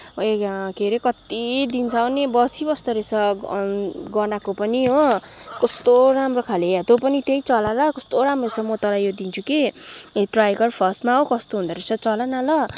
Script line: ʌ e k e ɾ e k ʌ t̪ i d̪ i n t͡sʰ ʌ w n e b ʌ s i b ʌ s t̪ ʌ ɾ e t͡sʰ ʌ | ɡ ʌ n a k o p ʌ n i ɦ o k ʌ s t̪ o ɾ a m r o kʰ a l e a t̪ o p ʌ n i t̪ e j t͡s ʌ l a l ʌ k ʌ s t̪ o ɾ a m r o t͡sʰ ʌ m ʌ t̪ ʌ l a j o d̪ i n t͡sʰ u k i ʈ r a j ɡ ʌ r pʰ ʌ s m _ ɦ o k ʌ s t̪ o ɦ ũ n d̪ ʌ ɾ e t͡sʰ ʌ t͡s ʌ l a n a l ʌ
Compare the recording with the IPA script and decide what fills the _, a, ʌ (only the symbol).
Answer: a